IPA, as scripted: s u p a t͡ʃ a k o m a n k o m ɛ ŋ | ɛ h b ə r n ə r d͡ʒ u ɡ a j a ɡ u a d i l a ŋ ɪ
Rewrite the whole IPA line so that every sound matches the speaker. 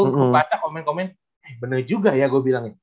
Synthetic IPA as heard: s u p a t͡ʃ a k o m ɛ n k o m ɛ n | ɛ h b ə n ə r d͡ʒ u ɡ a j a ɡ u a b i l a ŋ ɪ